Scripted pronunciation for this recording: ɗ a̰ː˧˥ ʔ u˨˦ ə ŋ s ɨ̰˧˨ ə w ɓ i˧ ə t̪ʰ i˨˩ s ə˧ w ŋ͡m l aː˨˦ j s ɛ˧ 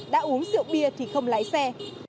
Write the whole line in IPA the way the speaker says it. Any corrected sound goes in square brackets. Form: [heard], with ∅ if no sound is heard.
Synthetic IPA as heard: ɗ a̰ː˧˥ ʔ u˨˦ ə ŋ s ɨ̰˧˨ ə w ɓ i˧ ə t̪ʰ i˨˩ [x] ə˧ w ŋ͡m l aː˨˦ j s ɛ˧